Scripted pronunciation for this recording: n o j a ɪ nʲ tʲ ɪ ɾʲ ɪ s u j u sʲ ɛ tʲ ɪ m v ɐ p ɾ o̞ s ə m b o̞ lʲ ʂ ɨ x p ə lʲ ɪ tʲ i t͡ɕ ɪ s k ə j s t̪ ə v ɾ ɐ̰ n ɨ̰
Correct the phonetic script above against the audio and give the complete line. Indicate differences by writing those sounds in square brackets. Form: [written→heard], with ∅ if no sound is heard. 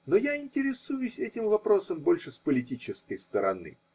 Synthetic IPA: n o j a ɪ nʲ tʲ ɪ ɾʲ ɪ s u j [u→ʊ] sʲ ɛ tʲ ɪ m v ɐ p ɾ o̞ s ə m b o̞ lʲ ʂ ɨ [x→s] p ə lʲ ɪ tʲ i t͡ɕ ɪ s k ə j s t̪ ə [v→∅] ɾ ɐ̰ n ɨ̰